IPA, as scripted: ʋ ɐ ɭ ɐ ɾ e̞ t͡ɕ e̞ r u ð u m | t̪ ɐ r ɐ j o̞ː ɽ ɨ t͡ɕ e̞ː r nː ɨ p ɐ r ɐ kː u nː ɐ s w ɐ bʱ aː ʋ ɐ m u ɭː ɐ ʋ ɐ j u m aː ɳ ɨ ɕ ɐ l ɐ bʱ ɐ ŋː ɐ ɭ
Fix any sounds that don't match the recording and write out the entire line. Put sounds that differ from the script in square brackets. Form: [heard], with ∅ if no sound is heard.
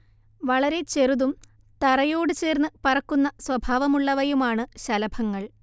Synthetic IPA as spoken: ʋ ɐ ɭ ɐ ɾ e̞ t͡ɕ e̞ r u ð u m | t̪ ɐ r ɐ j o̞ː ɽ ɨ t͡ɕ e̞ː r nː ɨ p ɐ r ɐ kː u nː ɐ s w ɐ bʱ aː ʋ ɐ m u ɭː ɐ ʋ ɐ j u m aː ɳ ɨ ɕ ɐ l ɐ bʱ ɐ ŋː ɐ ɭ